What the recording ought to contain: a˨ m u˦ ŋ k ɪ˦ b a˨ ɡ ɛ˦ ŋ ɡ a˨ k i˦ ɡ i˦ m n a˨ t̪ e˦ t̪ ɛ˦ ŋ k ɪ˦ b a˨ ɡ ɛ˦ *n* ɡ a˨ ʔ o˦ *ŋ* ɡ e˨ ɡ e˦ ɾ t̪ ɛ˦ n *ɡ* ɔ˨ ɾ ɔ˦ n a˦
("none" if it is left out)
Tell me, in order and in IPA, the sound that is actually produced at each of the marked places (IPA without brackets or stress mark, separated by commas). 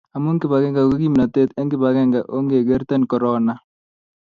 ŋ, ŋ, k